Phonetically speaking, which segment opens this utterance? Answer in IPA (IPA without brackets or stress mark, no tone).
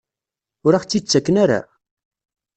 ʊ